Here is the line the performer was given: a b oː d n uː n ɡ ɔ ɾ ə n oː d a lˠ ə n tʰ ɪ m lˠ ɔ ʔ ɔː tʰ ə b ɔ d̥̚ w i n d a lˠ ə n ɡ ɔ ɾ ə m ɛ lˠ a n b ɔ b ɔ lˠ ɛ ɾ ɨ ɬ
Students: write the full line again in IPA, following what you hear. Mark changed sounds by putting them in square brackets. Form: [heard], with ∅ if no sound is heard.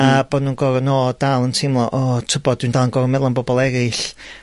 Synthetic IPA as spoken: a b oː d n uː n ɡ ɔ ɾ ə n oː d a lˠ ə n tʰ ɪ m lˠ ɔ ʔ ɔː tʰ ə b ɔ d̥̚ w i n d a lˠ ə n ɡ ɔ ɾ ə m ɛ lˠ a n b ɔ b ɔ lˠ ɛ ɾ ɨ ɬ